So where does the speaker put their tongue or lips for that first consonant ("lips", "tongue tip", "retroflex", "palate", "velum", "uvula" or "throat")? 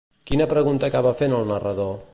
velum